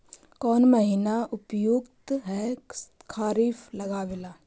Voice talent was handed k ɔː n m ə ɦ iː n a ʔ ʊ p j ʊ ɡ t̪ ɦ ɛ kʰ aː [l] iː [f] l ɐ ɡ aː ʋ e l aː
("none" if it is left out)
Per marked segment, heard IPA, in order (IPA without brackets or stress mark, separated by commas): ɾ, f